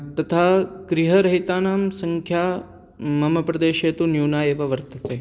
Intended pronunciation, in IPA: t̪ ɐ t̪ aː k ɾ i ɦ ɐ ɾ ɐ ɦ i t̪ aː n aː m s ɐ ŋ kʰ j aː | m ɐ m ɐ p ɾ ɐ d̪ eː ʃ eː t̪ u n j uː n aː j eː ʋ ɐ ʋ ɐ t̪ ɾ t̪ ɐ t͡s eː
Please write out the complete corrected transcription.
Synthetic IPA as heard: t̪ ɐ t̪ʰ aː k ɾ i ɦ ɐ ɾ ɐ ɦ i t̪ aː n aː m s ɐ ŋ kʰ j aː | m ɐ m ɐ p ɾ ɐ d̪ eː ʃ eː t̪ u n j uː n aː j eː ʋ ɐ ʋ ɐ ɾ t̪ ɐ t͡s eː